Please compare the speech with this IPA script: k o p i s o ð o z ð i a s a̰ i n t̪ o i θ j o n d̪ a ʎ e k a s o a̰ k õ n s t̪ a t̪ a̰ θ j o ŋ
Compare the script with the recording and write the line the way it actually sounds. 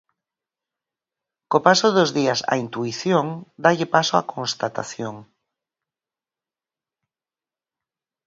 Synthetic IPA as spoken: k o p a s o ð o z ð i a s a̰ i n t̪ u i θ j o ŋ d̪ a ʎ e p a s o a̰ k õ n s t̪ a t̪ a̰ θ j o ŋ